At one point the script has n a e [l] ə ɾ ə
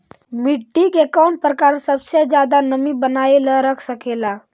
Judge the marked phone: correct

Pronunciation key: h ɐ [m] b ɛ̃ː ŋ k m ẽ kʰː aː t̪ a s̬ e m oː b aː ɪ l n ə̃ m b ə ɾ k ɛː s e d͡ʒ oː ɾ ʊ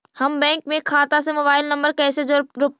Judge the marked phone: correct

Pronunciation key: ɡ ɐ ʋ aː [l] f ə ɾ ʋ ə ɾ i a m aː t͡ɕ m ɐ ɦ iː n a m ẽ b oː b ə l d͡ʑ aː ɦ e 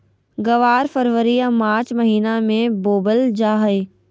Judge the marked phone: incorrect: ɾ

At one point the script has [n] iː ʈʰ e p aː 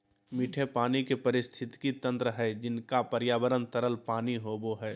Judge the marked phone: incorrect: m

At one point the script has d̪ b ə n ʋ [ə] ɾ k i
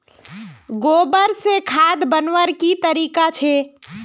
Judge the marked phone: correct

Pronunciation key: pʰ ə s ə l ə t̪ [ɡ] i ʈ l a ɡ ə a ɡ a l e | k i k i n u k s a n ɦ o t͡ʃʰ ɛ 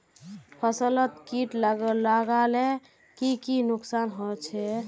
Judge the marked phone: incorrect: k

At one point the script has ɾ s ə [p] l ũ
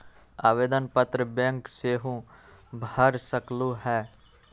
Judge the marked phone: incorrect: k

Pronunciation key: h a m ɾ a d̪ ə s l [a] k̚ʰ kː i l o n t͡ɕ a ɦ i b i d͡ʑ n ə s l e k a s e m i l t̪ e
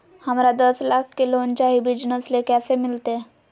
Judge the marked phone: correct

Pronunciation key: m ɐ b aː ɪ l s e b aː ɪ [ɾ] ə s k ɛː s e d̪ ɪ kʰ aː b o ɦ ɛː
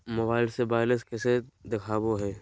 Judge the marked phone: incorrect: l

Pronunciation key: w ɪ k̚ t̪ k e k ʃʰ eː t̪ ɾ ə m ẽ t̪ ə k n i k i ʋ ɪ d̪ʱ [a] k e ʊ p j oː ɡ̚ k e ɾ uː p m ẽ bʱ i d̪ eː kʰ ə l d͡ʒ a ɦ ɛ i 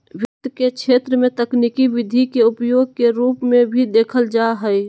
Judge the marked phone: incorrect: i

